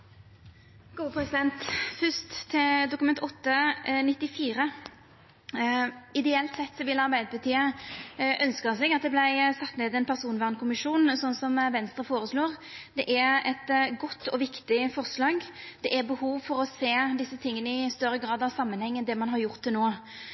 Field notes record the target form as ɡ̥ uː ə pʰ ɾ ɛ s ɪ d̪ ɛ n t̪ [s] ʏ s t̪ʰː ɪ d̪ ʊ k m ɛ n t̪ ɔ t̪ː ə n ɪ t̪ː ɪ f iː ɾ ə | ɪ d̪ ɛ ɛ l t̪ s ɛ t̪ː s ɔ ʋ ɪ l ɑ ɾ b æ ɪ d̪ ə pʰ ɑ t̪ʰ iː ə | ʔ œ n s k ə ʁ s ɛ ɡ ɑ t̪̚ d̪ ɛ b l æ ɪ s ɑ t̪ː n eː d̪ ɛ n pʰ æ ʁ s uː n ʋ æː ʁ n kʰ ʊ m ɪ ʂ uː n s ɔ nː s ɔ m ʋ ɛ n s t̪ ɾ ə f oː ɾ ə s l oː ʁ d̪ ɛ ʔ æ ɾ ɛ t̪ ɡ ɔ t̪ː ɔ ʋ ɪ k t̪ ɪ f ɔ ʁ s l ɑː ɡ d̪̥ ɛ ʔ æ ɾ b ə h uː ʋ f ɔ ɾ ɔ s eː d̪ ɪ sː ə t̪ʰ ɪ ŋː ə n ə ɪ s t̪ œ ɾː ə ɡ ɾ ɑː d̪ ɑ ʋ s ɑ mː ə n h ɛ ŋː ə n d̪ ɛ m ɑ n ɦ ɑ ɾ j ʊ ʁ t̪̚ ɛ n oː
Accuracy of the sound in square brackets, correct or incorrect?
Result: incorrect